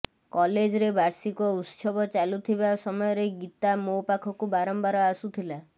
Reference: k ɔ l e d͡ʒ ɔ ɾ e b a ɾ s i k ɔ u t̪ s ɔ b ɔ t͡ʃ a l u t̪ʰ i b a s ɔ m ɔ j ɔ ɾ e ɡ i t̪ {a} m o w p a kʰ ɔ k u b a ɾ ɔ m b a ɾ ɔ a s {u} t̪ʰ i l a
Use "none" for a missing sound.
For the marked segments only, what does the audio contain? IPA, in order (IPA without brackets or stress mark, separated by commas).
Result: a, u